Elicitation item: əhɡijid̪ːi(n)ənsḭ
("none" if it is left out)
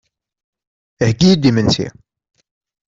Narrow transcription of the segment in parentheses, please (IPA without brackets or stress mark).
m